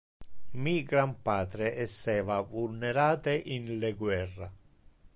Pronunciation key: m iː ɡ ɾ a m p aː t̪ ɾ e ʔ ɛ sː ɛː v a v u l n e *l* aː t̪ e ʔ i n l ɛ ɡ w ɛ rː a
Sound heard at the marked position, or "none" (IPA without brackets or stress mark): ɾ